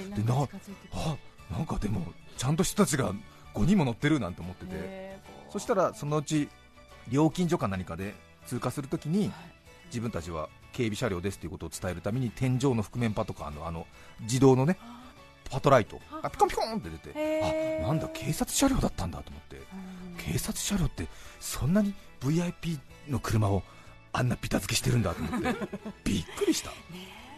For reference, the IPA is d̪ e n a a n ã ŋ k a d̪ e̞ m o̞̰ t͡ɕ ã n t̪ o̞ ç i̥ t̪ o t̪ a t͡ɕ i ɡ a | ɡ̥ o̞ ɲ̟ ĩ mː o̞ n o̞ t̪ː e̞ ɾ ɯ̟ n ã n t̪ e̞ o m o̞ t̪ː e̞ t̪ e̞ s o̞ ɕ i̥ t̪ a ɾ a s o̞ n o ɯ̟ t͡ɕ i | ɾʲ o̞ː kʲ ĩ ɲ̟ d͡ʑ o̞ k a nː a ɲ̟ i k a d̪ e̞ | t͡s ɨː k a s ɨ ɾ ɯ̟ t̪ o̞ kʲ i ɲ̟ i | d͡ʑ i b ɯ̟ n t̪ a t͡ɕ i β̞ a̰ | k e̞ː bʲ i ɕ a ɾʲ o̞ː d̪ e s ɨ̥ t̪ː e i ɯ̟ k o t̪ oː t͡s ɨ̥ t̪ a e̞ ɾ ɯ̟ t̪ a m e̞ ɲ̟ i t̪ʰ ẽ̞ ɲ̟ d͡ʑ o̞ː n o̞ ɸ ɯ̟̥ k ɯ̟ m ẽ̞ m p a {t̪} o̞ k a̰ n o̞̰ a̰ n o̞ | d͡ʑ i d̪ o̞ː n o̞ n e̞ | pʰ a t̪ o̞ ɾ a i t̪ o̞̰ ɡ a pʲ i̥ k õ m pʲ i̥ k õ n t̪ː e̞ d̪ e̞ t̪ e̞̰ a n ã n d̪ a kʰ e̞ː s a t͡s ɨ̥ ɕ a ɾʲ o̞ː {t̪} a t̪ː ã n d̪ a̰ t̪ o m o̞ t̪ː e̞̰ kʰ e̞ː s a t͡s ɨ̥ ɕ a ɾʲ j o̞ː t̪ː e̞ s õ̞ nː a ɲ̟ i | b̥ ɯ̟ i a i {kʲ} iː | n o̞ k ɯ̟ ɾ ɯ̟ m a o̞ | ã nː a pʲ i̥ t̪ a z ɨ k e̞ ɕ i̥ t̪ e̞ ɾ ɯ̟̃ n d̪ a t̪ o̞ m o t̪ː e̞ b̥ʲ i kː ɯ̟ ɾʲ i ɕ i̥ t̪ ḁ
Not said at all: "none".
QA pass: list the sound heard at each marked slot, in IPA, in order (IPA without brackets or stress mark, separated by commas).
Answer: t̪, d̪, pʲ